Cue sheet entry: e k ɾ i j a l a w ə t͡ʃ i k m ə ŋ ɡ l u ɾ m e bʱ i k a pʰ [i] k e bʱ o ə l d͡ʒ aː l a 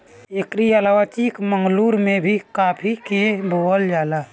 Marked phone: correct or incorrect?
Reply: correct